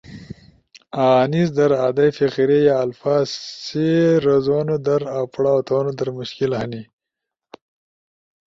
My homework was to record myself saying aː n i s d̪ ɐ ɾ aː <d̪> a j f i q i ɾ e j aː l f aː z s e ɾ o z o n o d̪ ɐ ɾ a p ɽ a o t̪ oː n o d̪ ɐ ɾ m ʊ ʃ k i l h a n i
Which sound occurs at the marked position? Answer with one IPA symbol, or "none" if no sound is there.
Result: d̪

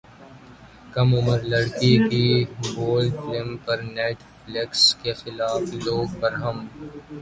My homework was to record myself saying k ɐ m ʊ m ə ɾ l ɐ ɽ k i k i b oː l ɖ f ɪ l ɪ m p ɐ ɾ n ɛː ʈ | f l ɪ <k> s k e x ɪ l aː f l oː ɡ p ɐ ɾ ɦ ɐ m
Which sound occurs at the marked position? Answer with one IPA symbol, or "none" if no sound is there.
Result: k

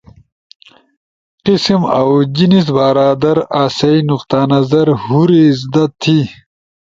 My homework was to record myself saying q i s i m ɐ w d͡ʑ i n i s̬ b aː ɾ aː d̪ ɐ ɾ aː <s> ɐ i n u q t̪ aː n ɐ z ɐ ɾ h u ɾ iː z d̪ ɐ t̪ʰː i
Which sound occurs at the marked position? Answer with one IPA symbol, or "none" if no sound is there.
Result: s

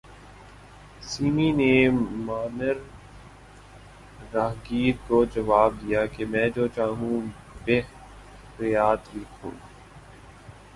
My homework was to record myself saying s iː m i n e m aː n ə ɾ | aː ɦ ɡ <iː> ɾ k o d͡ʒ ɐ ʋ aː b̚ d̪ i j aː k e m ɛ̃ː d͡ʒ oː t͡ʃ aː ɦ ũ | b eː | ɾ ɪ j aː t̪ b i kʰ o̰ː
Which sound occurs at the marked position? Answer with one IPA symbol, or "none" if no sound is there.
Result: iː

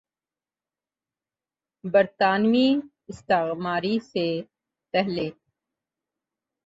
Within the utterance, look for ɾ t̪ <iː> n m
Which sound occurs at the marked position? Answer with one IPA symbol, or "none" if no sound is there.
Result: aː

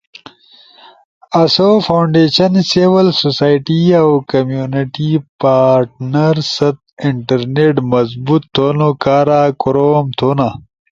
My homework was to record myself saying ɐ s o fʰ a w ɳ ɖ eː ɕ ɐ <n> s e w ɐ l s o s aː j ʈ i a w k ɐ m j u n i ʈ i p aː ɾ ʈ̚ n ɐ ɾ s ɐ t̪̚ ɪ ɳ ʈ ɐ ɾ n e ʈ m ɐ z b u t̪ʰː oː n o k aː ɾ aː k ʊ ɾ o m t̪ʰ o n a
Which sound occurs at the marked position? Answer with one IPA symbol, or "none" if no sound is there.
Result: n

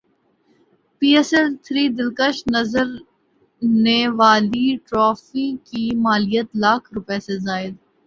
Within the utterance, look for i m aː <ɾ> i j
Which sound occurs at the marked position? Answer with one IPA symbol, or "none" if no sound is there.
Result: l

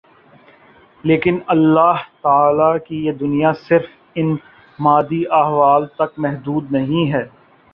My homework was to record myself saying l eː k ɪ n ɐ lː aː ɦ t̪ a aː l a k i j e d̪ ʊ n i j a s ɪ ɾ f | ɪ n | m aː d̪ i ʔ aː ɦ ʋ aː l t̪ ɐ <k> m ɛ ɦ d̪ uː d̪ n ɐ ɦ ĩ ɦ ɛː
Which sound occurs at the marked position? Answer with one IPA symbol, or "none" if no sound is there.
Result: k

